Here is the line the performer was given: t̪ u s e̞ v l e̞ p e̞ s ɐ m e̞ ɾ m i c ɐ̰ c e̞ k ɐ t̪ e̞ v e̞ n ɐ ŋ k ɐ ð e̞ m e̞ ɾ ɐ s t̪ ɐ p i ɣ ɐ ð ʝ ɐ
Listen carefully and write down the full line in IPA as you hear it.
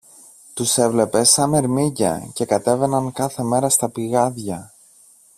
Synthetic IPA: t̪ u s e̞ v l e̞ p e̞ s ɐ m e̞ ɾ m i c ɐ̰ c e̞ k ɐ t̪ e̞ v e̞ n ɐ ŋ k ɐ θ e̞ m e̞ ɾ ɐ s t̪ ɐ p i ɣ ɐ ð ʝ ɐ